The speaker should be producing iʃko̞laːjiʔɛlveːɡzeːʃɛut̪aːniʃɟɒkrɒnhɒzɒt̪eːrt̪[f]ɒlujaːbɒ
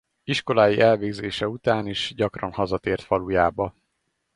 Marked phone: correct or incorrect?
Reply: correct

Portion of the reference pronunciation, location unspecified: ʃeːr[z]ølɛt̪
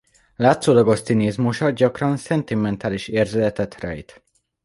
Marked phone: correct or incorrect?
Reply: correct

